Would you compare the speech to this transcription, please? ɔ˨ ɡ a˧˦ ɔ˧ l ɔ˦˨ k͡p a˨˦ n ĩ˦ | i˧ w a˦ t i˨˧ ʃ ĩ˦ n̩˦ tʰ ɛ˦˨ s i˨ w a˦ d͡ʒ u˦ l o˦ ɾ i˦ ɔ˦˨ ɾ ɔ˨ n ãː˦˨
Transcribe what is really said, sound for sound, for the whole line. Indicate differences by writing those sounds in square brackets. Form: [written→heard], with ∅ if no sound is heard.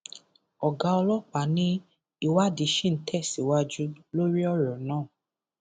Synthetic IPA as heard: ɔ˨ ɡ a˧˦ ɔ˧ l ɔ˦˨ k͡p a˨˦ n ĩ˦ | i˧ w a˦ [t→d] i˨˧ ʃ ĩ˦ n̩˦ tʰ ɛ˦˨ s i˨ w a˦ d͡ʒ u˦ l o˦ ɾ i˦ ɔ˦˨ ɾ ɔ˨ n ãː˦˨

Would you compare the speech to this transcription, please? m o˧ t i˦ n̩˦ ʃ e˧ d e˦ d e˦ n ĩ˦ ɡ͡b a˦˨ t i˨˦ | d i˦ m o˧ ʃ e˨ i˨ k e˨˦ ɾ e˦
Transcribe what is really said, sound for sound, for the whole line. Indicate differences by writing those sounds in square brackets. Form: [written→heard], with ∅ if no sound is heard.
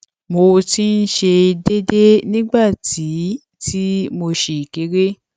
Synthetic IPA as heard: m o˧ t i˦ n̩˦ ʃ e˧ d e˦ d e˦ n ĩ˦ ɡ͡b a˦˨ t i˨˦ | [d→t] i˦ m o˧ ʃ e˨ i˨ k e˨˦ ɾ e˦

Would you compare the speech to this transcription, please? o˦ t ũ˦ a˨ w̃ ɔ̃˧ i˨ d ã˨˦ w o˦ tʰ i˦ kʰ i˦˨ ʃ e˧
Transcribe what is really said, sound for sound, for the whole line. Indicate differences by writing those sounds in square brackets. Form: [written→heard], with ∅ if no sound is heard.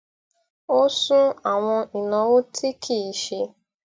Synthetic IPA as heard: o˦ [t→s] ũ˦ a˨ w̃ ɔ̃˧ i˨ [d→n] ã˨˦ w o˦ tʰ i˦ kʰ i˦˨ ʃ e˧

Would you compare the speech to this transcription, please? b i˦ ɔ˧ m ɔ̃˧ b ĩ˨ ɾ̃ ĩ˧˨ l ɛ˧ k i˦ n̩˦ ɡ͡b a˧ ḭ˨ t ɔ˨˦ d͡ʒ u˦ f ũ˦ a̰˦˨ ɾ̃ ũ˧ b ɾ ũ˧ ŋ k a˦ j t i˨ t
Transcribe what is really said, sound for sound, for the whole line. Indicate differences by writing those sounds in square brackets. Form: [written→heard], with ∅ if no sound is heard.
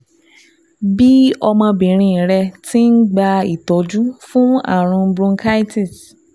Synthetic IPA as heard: b i˦ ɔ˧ m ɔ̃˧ b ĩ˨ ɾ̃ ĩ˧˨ [l→ɾ] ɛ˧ [k→t] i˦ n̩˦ ɡ͡b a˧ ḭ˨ t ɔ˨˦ d͡ʒ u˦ f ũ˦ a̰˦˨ ɾ̃ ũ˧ b ɾ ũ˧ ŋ k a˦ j t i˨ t

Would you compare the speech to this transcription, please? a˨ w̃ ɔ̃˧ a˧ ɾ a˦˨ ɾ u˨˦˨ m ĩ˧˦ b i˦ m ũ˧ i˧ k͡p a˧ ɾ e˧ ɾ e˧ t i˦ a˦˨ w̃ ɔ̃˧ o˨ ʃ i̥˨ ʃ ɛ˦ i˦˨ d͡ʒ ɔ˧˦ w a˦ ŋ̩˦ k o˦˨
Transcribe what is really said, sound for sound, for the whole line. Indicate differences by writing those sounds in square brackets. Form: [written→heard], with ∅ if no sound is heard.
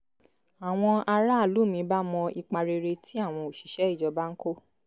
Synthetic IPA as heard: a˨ w̃ ɔ̃˧ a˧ ɾ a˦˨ [ɾ→l] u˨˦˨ m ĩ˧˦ b [i˦→a˦] m [ũ˧→ɔ̃˧] i˧ k͡p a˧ ɾ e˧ ɾ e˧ t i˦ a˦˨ w̃ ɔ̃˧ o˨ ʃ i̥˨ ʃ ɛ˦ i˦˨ d͡ʒ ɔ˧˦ [w→b] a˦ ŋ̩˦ k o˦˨

